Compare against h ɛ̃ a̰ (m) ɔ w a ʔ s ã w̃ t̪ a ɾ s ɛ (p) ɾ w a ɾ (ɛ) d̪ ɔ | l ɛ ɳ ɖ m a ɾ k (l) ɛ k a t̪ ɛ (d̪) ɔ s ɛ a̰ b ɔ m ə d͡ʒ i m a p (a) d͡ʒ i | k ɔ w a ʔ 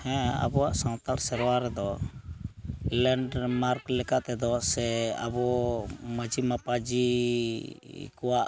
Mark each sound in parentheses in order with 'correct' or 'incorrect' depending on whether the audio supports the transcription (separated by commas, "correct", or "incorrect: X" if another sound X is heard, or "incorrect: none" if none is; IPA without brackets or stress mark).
incorrect: b, incorrect: none, correct, correct, correct, correct